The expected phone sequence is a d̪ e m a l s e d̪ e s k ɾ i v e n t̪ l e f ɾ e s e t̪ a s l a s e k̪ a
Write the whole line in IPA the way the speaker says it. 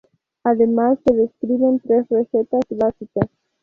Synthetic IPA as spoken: a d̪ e m a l s e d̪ e s k ɾ i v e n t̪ ɾ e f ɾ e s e t̪ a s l a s i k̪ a